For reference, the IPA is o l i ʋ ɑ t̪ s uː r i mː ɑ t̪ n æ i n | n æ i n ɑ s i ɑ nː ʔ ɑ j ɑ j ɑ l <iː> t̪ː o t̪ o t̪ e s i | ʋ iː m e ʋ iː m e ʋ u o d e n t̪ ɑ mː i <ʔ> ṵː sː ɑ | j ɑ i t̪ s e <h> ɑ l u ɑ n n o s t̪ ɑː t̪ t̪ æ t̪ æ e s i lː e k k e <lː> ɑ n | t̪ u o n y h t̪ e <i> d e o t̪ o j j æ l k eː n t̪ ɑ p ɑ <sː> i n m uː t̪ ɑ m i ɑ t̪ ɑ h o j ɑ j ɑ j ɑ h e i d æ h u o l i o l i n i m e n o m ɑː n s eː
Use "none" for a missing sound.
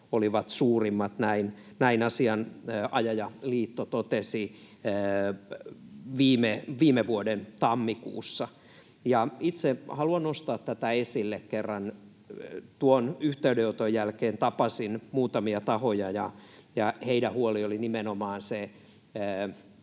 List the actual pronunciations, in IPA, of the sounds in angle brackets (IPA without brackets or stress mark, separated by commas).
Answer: iː, k, h, rː, y, s